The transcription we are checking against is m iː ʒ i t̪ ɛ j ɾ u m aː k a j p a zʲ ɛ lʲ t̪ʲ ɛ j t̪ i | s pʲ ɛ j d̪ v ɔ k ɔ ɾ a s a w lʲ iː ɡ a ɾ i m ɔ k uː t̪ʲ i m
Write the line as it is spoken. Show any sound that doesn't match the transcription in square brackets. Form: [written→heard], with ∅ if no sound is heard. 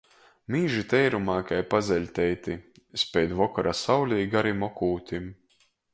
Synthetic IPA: m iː ʒ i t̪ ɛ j ɾ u m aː k a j p a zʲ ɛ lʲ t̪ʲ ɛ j t̪ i | s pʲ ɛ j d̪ v ɔ k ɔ ɾ a s a w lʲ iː ɡ a ɾ i m ɔ k uː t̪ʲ i m